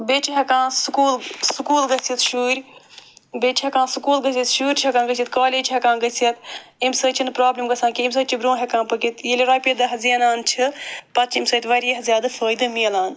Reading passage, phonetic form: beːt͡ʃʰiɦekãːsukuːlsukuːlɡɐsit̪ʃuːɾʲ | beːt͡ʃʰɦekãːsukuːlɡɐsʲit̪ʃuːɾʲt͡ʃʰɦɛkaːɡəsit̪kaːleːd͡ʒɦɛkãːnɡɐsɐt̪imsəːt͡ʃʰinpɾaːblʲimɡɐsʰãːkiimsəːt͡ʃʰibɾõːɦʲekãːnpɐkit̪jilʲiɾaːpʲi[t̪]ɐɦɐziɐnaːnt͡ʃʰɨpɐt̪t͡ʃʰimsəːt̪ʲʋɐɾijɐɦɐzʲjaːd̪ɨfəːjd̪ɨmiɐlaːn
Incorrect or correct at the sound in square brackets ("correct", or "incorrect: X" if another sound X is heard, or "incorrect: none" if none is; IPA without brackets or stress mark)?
incorrect: d̪